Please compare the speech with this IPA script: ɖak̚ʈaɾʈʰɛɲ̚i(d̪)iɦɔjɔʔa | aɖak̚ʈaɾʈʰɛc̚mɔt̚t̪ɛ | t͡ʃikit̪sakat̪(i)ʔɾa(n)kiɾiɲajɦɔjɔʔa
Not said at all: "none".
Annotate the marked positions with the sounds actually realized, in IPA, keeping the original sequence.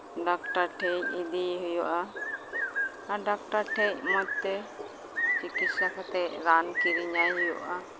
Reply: d̪, ɛ, n

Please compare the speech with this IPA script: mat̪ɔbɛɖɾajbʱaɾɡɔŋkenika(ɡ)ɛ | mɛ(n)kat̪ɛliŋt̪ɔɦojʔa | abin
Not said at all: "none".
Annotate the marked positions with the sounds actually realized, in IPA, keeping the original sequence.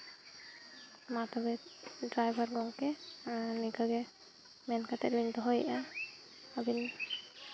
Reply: ɡ, n

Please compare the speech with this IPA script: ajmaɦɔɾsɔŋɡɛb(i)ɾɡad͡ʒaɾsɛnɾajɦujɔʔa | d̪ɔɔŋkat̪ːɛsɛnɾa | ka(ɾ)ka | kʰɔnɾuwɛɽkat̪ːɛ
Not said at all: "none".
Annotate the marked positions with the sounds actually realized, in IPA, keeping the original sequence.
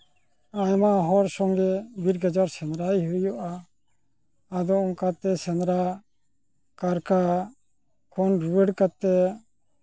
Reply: i, ɾ

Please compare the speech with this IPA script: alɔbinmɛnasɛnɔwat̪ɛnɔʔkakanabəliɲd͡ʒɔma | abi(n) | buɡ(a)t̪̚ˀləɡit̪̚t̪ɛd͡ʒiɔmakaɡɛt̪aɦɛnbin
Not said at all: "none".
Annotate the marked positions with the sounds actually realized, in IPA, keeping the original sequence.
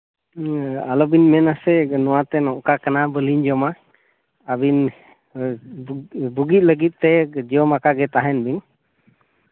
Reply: n, i

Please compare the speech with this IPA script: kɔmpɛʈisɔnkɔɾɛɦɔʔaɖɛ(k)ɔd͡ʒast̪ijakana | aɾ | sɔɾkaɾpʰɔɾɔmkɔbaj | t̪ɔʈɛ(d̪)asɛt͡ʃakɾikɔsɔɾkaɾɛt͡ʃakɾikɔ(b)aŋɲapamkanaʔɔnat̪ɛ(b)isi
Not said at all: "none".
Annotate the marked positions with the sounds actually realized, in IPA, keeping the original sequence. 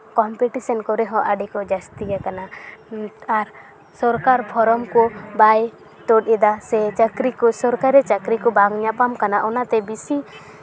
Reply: k, d̪, b, b

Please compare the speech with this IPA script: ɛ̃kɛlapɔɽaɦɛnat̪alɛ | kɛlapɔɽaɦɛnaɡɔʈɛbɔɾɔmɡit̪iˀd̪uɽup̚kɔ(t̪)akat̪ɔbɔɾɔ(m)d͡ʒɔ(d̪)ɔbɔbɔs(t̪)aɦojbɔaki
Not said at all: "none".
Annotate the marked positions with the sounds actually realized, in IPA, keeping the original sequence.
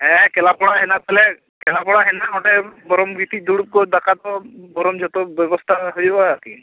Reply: d̪, m, t̪, t̪ʰ

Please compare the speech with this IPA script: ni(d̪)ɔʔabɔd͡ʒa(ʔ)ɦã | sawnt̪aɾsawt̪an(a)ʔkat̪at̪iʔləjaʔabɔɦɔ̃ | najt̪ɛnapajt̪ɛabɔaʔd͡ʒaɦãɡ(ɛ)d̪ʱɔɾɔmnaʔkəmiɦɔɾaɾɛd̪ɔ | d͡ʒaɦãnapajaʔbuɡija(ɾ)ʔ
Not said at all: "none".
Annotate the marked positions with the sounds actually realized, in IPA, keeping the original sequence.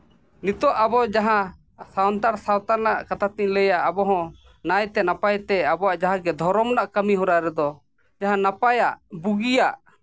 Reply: t̪, none, a, ɛ, none

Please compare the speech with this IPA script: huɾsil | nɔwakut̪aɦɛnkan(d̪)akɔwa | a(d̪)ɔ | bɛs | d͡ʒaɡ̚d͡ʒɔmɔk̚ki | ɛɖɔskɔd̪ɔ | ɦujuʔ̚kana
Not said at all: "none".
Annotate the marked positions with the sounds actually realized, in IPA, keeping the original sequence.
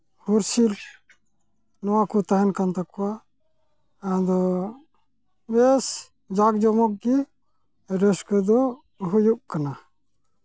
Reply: t̪, d̪

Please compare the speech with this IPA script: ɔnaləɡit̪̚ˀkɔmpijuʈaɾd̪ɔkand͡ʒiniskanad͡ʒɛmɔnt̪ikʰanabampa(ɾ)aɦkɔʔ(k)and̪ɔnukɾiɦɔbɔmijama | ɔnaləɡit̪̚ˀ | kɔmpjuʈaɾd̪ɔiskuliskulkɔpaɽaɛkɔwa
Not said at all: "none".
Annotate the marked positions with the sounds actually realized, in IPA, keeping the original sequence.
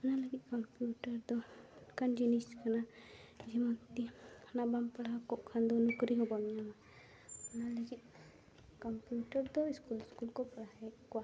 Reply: ɽ, kʰ

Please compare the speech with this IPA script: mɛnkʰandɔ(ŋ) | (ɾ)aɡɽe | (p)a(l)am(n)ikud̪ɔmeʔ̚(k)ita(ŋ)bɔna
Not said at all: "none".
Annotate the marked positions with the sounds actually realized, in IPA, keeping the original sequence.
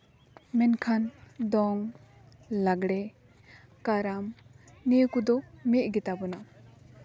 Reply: ŋ, l, k, ɾ, n, ɡ, none

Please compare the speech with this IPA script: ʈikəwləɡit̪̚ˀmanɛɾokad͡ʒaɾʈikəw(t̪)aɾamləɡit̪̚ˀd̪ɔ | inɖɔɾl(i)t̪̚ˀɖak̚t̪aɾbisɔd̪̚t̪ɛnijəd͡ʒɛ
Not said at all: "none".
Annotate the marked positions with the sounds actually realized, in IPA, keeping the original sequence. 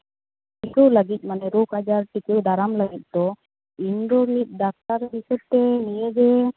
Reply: d̪, i

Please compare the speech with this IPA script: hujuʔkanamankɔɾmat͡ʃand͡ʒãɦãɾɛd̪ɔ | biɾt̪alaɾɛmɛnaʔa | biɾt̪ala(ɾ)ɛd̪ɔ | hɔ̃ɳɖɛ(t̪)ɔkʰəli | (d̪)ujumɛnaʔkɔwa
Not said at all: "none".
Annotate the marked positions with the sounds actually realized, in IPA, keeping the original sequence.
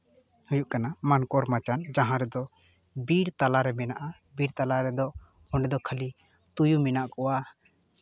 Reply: ɾ, d̪, t̪

